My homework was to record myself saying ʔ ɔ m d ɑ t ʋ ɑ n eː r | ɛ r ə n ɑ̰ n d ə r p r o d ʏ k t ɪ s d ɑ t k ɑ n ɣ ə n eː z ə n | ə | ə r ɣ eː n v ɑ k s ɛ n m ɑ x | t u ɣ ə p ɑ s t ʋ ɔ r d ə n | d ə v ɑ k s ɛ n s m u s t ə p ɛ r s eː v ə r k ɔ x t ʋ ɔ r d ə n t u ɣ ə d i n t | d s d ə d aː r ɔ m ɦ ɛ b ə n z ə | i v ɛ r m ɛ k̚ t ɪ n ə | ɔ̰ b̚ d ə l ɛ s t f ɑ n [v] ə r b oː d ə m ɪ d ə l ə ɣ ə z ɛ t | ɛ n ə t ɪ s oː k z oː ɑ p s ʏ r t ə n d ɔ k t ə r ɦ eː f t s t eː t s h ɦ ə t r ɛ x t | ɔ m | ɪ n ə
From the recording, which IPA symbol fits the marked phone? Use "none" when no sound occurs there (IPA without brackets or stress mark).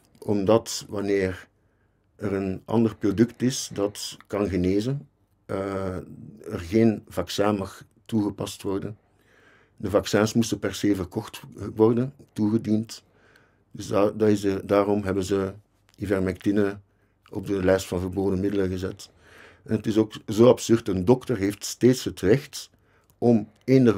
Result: v